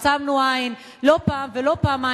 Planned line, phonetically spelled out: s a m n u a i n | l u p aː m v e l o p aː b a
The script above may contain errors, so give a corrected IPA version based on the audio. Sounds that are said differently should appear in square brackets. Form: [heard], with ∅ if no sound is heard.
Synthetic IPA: s a m n u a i n | l [o] p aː m v e l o p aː [m] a

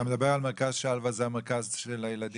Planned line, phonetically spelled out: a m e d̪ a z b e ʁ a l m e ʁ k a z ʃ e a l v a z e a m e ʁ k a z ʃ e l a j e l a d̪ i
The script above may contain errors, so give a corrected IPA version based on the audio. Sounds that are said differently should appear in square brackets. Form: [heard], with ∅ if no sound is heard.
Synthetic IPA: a m e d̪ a [∅] b e ʁ a l m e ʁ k a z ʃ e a l v a z e a m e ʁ k a z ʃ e l a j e l a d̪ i

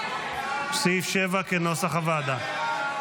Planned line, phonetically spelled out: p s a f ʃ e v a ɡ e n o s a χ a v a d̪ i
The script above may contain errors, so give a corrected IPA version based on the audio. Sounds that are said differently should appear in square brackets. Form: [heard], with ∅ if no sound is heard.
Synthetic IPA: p s [i] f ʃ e v a [k] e n o s a χ a v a d̪ [a]

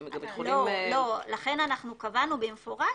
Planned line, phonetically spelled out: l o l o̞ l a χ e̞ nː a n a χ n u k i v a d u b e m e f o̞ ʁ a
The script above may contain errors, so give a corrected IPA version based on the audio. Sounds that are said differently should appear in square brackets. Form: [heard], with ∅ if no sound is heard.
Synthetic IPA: l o l o̞ l a χ e̞ [n] a n a χ n u k [a] v a [n] u b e m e f o̞ ʁ a

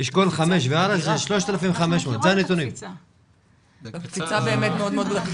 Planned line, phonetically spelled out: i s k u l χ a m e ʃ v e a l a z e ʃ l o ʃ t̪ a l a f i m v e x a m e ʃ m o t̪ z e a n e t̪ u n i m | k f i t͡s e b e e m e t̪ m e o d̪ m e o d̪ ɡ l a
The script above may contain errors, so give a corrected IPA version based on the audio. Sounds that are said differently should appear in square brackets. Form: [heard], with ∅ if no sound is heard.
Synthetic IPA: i [ʃ] k [o] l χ a m e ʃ v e a [ɾ] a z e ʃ l o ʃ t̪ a l a f i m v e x a m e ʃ m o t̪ z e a n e t̪ u n i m | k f i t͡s [a] b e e m e t̪ m e o d̪ m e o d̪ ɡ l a

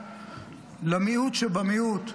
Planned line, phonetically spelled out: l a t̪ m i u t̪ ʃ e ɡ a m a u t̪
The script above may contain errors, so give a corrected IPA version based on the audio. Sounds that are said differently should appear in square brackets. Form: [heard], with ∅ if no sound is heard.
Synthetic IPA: l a [∅] m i u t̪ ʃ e [b] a m [i] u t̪

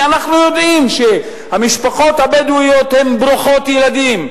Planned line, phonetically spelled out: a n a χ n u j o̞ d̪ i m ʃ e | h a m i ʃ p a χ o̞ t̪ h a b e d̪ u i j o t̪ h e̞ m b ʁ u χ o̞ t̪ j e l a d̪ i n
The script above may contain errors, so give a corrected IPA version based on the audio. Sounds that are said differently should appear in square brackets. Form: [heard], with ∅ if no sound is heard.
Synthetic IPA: a n a χ n u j o̞ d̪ i m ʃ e | h a m i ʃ p a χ o̞ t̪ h a b e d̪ u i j o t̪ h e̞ m b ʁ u χ o̞ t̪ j e l a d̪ i [m]

